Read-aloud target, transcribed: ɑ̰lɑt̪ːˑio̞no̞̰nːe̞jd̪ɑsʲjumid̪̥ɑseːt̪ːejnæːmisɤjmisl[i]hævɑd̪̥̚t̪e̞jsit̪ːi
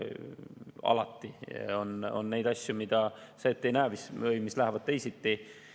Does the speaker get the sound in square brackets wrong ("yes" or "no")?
yes